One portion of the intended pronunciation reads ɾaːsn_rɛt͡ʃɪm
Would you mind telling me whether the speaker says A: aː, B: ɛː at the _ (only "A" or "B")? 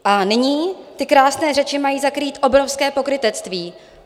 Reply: B